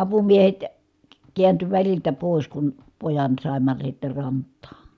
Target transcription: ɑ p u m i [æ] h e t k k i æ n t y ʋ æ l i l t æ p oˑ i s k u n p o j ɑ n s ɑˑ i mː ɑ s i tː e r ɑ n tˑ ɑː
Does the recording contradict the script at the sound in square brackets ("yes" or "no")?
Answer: yes